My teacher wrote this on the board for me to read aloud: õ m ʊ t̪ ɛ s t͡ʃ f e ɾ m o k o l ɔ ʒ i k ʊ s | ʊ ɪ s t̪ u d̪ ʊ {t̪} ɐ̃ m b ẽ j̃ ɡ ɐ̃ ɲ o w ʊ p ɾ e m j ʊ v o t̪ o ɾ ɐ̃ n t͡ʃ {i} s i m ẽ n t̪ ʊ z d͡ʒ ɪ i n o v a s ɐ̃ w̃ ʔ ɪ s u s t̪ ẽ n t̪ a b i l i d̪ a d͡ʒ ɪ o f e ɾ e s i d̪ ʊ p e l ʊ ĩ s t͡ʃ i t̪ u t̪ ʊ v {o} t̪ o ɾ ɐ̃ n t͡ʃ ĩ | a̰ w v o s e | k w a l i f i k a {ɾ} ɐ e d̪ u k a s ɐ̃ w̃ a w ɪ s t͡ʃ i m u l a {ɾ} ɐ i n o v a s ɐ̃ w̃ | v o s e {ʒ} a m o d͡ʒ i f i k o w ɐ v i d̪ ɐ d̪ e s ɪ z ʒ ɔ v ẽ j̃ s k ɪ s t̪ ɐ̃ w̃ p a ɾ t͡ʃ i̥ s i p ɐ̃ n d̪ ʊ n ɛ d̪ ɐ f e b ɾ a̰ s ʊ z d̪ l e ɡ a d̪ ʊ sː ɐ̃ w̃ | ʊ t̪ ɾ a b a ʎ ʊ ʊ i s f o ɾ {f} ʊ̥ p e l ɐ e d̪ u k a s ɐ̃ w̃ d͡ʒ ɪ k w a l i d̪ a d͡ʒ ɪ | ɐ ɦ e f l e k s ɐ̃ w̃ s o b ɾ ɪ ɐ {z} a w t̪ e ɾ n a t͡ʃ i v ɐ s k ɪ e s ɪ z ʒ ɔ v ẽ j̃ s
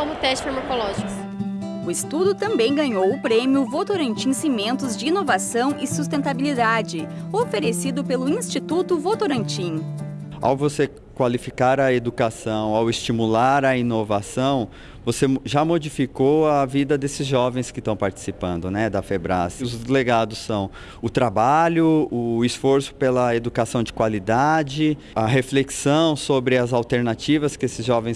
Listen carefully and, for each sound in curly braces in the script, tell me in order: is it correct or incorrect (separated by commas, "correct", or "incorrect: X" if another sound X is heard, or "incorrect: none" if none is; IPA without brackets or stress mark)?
correct, incorrect: ĩ, correct, correct, correct, correct, incorrect: s, correct